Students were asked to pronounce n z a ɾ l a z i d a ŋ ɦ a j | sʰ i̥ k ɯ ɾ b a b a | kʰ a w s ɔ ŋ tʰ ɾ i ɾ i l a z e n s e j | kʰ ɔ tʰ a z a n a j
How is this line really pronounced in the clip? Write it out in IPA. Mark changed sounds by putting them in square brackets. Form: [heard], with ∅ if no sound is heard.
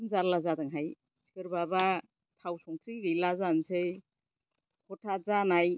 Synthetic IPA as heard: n z a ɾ l a z [a] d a ŋ ɦ a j | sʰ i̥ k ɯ ɾ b a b a | [tʰ] a w s ɔ ŋ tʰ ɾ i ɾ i l a z [a] n s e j | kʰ ɔ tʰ a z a n a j